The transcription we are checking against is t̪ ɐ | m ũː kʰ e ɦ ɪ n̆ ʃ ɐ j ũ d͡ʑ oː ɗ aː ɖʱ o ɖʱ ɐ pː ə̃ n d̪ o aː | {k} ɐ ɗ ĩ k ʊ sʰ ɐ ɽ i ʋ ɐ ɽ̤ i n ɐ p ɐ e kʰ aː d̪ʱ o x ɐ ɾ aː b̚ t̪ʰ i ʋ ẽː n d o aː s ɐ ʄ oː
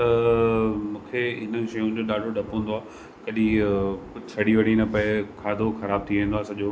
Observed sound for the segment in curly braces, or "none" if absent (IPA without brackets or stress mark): k